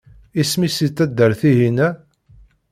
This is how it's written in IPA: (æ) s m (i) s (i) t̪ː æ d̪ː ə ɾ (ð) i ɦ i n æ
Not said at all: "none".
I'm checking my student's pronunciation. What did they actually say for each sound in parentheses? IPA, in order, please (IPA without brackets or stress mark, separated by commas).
i, i, i, θ